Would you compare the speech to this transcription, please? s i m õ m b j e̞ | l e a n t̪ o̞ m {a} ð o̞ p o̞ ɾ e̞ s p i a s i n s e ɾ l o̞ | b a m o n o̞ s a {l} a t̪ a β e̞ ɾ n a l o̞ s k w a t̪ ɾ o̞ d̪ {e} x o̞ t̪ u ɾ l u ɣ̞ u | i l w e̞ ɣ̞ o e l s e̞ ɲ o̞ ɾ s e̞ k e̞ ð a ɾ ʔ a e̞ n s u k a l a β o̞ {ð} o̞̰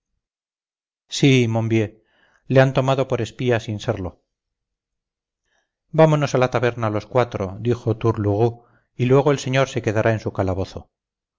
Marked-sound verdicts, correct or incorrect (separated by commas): correct, correct, incorrect, incorrect